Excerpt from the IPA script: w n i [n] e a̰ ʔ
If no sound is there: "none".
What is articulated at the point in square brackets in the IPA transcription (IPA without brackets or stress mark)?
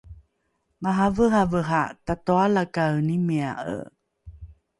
m